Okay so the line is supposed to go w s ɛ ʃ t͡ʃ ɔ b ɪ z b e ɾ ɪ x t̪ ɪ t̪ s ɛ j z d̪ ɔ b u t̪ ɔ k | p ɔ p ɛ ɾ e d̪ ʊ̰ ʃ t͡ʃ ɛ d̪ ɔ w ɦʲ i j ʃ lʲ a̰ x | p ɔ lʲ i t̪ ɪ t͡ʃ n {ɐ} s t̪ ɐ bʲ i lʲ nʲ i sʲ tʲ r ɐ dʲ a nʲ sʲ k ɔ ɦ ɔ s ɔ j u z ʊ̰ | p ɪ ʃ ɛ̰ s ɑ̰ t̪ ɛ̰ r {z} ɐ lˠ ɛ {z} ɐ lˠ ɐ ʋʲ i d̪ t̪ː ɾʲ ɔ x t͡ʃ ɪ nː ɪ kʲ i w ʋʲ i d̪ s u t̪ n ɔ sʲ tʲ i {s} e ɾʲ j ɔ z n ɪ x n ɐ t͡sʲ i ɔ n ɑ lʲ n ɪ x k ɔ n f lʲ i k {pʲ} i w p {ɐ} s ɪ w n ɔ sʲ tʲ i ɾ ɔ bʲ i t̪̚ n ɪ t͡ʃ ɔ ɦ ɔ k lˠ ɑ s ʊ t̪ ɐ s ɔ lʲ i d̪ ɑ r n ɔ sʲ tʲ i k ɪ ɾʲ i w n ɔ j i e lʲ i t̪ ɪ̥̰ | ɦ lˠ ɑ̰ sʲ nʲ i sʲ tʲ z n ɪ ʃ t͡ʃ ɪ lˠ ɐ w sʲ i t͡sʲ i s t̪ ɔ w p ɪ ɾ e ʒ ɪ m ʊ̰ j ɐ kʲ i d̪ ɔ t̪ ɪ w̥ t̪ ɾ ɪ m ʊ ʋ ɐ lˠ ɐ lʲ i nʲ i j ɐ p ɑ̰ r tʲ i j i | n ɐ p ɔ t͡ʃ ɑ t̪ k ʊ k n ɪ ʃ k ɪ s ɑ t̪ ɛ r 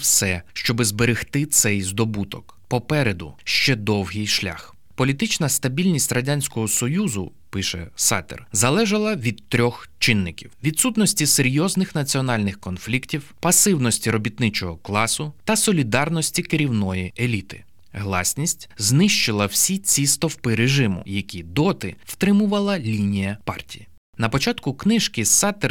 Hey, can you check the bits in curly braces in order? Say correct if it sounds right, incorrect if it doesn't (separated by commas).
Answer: correct, correct, incorrect, correct, incorrect, correct